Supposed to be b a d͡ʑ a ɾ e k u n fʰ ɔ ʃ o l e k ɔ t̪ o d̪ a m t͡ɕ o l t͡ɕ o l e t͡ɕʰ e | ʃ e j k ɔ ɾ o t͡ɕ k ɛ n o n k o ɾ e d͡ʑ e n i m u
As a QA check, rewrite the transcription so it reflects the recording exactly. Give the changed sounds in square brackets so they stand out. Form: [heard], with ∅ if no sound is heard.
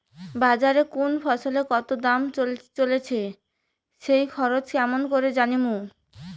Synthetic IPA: b a d͡ʑ a ɾ e k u n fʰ ɔ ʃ o l e k ɔ t̪ o d̪ a m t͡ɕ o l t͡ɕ o l e t͡ɕʰ e | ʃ e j [kʰ] ɔ ɾ o t͡ɕ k ɛ [m] o n k o ɾ e d͡ʑ [a] n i m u